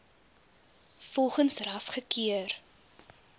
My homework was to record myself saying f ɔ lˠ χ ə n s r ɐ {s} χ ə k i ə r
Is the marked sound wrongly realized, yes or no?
no